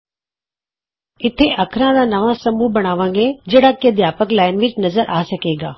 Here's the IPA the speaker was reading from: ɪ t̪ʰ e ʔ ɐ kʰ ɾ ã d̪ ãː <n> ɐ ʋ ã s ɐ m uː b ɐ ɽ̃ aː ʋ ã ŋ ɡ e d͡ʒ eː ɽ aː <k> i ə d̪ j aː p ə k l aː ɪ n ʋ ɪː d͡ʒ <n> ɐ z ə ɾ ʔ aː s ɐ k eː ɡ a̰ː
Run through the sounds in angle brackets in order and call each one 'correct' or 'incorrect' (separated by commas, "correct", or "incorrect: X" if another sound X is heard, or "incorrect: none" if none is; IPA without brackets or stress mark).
correct, correct, correct